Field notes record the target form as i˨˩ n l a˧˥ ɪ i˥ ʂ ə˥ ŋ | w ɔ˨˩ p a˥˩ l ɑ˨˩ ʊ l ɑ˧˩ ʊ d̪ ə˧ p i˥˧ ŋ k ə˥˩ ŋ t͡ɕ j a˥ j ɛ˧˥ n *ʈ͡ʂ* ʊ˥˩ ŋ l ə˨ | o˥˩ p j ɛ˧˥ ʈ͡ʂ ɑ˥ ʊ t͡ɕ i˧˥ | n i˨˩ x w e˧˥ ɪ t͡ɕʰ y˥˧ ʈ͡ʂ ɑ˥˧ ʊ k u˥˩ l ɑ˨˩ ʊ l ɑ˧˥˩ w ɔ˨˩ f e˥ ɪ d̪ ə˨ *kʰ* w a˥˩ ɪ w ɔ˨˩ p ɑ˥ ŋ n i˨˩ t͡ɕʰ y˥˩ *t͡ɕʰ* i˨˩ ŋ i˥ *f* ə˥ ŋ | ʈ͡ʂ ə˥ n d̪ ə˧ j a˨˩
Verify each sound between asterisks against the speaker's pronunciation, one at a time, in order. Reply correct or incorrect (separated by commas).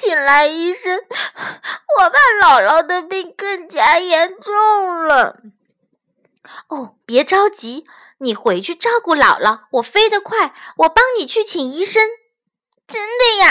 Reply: correct, correct, correct, incorrect